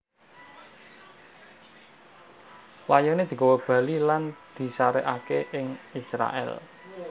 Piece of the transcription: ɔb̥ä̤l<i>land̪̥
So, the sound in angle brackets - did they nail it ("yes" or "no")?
yes